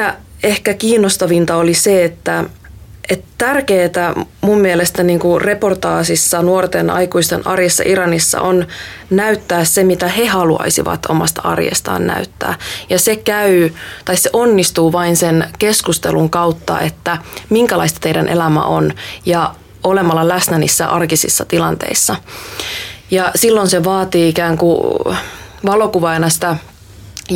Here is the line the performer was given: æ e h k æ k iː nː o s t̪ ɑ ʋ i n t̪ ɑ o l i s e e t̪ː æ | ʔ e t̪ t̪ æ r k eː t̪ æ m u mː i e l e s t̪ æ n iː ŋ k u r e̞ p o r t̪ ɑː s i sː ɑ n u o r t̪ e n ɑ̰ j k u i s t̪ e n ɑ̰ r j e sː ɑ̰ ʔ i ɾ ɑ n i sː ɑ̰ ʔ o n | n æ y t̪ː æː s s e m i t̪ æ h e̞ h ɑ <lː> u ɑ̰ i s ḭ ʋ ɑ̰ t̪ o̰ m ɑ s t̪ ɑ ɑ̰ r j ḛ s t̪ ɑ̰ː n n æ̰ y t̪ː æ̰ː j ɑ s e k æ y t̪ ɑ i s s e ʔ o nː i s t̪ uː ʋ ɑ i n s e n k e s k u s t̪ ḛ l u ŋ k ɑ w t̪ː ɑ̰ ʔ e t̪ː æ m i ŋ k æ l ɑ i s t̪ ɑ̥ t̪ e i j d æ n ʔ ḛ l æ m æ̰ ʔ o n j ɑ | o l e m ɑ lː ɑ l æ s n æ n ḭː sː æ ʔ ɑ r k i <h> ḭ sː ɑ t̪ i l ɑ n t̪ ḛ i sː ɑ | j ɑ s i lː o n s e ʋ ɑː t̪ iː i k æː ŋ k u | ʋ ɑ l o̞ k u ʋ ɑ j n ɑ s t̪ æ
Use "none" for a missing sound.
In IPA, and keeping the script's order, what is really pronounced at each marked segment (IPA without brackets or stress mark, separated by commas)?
l, s